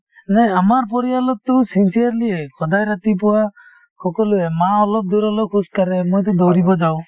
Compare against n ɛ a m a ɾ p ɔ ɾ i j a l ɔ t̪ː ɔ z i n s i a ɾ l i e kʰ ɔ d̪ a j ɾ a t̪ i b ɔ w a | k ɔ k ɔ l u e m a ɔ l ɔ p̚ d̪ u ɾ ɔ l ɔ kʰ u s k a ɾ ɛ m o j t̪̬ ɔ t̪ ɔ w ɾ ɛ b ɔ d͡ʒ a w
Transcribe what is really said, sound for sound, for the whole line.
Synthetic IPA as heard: n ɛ a m a ɾ p ɔ ɾ i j a l ɔ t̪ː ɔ s i n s i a ɾ l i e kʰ ɔ d̪ a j ɾ a t̪ i p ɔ w a | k ɔ k ɔ l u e m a ɔ l ɔ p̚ d̪ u ɾ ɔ l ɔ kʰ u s k a ɾ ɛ m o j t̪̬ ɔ d̪ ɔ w ɾ i b ɔ d͡ʒ a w